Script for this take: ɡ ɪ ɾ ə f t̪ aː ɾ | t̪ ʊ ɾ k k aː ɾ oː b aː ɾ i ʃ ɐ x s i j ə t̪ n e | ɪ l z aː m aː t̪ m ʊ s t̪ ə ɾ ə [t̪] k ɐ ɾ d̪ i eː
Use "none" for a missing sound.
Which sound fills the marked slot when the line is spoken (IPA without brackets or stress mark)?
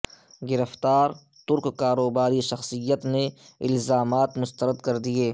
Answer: d̪